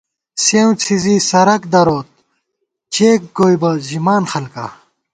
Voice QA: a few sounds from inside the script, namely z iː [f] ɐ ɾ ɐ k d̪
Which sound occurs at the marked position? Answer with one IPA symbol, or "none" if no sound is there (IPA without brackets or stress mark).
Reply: s